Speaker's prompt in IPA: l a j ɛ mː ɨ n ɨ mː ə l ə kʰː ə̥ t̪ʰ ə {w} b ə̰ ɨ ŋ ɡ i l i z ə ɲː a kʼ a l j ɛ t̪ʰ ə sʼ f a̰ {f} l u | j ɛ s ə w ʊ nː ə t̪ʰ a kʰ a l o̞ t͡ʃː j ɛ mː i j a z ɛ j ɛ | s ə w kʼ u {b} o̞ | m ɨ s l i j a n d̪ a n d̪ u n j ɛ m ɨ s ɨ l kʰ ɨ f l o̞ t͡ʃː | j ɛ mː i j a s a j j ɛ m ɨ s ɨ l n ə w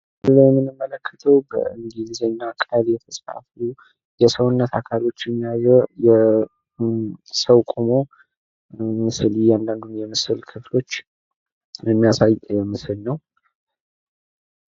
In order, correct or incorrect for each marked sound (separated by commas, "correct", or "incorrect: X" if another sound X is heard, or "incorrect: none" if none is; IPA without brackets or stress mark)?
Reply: correct, correct, incorrect: m